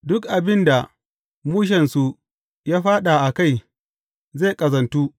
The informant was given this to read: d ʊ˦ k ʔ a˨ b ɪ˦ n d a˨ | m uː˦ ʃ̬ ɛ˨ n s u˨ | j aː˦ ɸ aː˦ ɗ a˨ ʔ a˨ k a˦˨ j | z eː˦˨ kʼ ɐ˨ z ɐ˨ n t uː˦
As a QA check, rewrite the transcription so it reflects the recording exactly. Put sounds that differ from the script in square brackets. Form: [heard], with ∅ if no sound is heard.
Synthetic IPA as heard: d ʊ˦ k ʔ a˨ b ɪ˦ n d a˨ | m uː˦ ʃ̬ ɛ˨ n s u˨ | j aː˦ ɸ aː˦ ɗ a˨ ʔ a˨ k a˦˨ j | z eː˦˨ kʼ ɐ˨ z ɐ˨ n t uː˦